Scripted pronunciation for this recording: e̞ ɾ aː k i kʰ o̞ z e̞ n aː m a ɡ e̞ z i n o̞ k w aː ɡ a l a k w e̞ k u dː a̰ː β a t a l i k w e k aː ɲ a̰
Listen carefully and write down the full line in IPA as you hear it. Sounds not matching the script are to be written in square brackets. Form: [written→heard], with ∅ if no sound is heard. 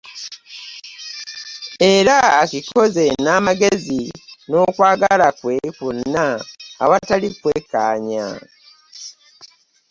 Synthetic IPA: e̞ ɾ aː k i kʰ o̞ z e̞ n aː m a ɡ e̞ z i n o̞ k w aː ɡ a l a k w e̞ k u [dː→nː] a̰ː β a t a l i k w e k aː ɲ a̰